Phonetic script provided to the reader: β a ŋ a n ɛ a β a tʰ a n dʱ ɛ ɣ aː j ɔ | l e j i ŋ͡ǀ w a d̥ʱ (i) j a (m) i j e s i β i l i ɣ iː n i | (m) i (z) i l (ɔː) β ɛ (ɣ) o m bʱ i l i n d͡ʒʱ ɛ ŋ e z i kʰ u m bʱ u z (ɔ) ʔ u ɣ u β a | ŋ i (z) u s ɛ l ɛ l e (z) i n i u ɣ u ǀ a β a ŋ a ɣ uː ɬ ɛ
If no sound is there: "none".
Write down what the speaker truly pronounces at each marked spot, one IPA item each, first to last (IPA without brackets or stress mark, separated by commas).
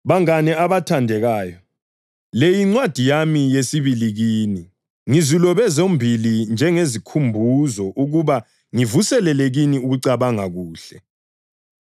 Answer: i, m, ŋ, z, ɔ, z, ɔ, v, ɣ